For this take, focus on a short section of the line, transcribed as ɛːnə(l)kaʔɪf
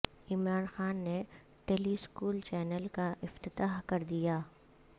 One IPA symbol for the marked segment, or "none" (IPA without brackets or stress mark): l